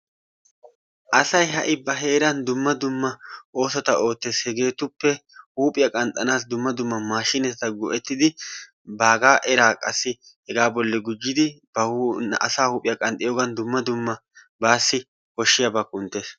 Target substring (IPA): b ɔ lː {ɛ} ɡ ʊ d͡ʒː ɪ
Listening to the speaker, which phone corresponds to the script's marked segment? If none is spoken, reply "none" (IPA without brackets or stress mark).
ɛ